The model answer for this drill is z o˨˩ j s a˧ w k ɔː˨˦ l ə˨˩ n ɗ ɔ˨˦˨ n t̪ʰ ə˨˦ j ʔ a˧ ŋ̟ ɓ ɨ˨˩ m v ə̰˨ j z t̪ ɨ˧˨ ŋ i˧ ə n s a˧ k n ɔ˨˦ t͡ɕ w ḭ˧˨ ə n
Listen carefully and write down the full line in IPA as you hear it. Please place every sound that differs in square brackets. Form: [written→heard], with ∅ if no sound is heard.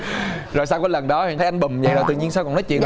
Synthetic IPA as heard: z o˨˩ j s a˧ w k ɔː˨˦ l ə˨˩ n ɗ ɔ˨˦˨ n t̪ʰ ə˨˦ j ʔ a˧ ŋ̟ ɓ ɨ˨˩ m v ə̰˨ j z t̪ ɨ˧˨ [ŋ→ɲ] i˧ ə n s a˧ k n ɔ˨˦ t͡ɕ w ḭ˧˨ ə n

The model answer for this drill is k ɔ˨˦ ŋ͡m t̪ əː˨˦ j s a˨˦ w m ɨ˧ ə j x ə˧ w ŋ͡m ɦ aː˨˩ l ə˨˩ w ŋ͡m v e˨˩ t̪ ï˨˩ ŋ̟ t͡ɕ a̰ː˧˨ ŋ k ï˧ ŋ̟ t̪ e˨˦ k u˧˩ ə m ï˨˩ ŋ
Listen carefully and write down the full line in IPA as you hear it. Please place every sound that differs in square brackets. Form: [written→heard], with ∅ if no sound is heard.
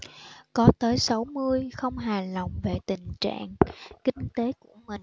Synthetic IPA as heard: k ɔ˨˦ [ŋ͡m→∅] t̪ əː˨˦ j s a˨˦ w m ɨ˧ ə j x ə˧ w ŋ͡m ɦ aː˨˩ l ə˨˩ w ŋ͡m v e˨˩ t̪ ï˨˩ ŋ̟ t͡ɕ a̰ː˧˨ ŋ k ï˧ ŋ̟ t̪ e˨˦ k u˧˩ ə m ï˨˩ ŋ

